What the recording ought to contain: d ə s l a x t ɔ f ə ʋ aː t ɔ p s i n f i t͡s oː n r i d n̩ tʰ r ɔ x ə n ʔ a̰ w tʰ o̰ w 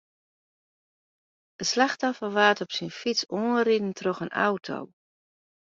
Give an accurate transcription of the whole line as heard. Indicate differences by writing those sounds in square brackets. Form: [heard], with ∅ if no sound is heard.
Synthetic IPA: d ə s l a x t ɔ f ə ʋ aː t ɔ p s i n f i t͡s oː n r i d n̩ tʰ r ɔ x ə n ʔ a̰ w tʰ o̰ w